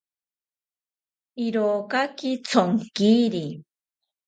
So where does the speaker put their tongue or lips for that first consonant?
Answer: tongue tip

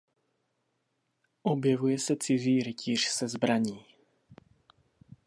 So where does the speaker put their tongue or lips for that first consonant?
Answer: throat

